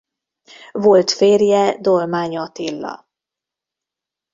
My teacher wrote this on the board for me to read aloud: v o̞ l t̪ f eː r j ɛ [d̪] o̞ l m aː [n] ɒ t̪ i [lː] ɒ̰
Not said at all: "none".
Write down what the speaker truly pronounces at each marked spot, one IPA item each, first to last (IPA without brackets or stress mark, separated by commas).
d̪, ɲ, lː